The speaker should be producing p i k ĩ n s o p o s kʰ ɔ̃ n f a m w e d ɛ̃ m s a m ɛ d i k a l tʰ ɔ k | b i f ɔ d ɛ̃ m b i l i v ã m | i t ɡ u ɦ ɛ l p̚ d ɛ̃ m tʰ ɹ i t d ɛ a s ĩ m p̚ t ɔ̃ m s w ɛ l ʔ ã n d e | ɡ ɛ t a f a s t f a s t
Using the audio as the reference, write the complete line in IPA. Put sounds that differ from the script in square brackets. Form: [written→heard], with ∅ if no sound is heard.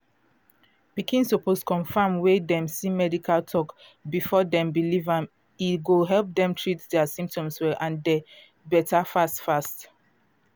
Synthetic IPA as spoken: p i k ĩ n s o p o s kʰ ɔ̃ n f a m w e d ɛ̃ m s [a→i] m ɛ d i k a l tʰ ɔ k | b i f ɔ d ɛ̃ m b i l i v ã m | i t ɡ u ɦ ɛ l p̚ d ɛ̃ m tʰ ɹ i t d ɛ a s ĩ m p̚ t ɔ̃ m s w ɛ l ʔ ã n d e | [ɡ→b] ɛ t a f a s t f a s t